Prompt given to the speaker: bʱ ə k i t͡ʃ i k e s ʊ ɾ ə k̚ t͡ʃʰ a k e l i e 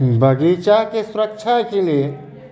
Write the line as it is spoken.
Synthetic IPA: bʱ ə ɡ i t͡ʃ a k e s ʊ ɾ ə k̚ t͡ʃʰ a k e l i e